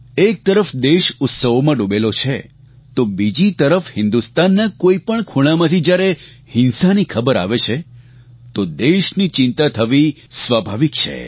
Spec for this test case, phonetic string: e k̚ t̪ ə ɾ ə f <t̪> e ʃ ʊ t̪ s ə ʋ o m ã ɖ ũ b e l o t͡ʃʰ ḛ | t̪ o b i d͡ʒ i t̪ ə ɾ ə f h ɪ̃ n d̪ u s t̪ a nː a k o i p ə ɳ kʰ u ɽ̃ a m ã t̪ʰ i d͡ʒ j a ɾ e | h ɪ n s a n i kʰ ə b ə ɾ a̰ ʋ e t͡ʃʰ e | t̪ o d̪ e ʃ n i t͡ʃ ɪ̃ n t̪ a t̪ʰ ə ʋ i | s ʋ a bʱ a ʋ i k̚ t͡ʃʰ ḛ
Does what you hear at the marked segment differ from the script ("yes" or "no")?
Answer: yes